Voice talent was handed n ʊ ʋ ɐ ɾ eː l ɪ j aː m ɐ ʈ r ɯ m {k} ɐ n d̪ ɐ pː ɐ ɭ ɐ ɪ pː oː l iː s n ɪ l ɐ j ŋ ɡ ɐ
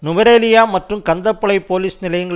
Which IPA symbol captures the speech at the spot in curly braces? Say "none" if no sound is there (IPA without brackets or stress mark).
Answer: k